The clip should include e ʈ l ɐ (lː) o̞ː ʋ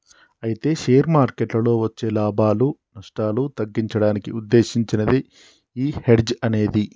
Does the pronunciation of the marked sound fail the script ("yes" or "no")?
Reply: yes